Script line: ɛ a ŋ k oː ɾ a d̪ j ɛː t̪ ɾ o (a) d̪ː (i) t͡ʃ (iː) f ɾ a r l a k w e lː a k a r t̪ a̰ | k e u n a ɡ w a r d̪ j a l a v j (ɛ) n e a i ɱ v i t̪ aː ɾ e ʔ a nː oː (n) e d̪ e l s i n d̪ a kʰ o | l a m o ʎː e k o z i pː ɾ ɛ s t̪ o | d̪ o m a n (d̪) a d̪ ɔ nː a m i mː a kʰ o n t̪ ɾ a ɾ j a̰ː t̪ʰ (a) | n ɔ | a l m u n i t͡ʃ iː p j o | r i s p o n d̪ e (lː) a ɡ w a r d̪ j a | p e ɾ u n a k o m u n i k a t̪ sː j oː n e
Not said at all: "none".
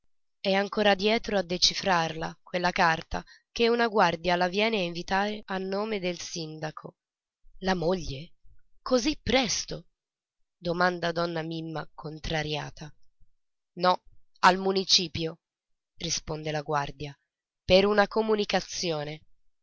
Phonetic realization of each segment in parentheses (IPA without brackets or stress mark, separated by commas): a, e, i, ɛː, m, d̪, a, l